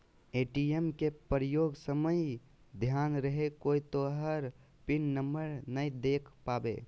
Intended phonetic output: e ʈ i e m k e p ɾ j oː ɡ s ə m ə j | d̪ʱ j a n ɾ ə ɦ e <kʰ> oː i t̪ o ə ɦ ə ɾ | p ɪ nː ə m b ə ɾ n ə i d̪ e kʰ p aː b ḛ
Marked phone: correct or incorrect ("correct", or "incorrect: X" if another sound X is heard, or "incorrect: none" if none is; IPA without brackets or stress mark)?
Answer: incorrect: k